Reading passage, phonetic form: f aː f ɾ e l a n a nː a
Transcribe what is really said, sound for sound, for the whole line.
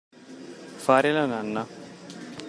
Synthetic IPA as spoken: f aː ɾ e l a n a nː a